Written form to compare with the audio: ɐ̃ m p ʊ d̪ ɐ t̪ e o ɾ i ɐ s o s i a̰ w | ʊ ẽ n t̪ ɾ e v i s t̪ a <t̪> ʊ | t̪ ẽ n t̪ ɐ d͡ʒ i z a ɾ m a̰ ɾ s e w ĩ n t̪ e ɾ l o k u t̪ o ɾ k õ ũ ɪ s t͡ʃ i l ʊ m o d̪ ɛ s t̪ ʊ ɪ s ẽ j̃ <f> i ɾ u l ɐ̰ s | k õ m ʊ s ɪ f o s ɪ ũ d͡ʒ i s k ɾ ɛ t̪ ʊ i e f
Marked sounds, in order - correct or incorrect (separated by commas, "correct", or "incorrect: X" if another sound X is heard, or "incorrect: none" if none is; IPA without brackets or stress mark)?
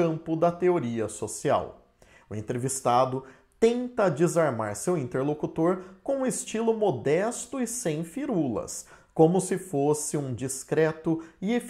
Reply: incorrect: d̪, correct